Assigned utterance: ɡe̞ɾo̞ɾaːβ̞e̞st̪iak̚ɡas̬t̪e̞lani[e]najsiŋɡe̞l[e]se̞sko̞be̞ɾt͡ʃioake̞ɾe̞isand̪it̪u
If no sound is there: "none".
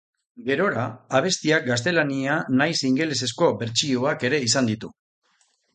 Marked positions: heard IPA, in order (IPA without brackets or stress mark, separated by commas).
a, e